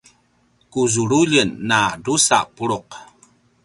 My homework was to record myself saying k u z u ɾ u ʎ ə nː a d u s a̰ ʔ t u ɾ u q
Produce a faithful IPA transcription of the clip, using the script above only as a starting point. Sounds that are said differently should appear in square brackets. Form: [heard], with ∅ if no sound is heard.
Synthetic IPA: k u z u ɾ u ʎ ə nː a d u s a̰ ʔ [p] u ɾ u q

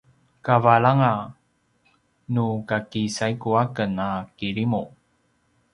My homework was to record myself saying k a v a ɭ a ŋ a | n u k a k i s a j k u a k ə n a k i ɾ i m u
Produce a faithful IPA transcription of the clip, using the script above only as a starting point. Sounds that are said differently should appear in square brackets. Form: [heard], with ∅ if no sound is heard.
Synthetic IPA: k a v a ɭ a ŋ a | n u k a k i s a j k u a k ə n a k i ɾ i m u

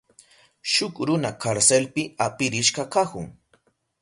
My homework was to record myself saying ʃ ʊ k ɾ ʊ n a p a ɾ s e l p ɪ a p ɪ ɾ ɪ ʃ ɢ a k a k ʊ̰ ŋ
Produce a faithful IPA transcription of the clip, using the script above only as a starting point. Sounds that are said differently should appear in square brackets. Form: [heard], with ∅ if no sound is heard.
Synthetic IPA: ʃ ʊ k ɾ ʊ n a [k] a ɾ s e l p ɪ a p ɪ ɾ ɪ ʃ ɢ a k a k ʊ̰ ŋ

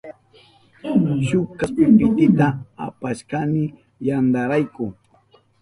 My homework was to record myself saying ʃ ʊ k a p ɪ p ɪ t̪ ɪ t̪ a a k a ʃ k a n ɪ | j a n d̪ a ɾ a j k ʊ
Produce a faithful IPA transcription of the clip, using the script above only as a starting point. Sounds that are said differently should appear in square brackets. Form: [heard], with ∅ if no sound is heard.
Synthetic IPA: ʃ ʊ k a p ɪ p ɪ t̪ ɪ t̪ a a [p] a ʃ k a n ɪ | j a n d̪ a ɾ a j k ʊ

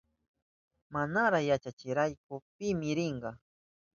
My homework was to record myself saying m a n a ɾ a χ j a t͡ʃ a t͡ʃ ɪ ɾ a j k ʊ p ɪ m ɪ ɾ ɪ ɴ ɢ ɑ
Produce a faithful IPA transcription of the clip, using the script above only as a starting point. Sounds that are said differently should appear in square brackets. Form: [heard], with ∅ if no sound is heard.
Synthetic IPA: m a n a ɾ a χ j a t͡ʃ a t͡ʃ ɪ ɾ a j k ʊ p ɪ m ɪ ɾ ɪ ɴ ɢ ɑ

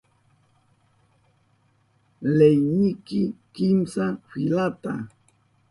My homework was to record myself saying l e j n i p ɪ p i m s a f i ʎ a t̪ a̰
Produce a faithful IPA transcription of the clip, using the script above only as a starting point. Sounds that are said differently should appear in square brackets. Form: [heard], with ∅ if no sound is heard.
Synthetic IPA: l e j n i [k] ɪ [k] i m s a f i [l] a t̪ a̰

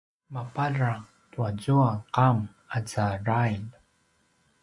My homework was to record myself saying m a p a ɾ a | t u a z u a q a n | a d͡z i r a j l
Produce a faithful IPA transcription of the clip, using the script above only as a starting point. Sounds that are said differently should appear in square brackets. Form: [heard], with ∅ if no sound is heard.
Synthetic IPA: m a p a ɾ a | t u a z u a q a [m] | a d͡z [a] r a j l

